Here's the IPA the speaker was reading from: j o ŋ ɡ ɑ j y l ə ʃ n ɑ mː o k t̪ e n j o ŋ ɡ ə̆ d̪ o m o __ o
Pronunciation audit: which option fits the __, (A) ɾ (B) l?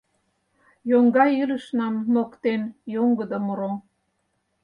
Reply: A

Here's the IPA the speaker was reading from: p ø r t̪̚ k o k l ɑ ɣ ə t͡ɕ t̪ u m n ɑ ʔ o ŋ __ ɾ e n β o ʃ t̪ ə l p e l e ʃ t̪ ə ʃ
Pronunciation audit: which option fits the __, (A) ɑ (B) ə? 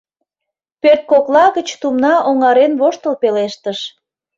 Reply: A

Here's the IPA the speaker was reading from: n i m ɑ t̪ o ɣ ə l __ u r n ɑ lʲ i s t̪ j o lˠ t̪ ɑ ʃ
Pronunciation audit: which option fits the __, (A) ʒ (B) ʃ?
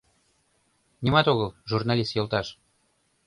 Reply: A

